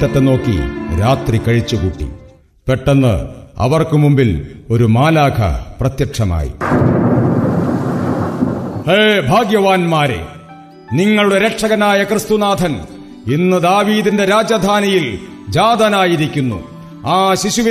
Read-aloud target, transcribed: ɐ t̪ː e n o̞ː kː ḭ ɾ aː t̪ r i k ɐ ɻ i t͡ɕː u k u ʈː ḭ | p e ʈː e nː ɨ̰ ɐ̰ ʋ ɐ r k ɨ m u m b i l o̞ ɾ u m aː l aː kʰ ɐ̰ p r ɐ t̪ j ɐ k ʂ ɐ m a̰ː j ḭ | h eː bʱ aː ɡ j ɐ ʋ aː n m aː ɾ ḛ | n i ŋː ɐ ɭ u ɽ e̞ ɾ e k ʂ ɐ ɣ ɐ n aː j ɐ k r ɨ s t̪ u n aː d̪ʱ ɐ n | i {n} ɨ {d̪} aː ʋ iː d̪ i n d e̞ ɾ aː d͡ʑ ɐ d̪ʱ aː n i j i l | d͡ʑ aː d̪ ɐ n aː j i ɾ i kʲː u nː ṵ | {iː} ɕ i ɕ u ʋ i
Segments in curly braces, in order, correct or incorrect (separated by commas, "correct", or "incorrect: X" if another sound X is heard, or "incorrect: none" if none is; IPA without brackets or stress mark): incorrect: nː, correct, incorrect: aː